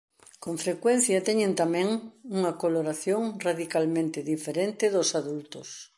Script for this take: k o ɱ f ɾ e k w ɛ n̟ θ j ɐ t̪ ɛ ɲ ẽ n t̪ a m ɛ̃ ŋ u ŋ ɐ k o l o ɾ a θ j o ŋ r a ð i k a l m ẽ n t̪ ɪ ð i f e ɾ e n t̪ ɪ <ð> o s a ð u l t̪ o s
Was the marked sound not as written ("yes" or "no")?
no